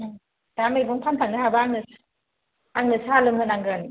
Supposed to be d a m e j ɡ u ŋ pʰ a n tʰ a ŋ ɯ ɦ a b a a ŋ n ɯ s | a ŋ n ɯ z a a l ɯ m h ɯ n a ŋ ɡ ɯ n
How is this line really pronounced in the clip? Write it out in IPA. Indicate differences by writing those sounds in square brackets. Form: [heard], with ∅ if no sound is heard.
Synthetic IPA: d a m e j [b] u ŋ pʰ a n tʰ a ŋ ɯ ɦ a b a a ŋ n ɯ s | a ŋ n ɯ [s] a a l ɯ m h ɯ n a ŋ ɡ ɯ n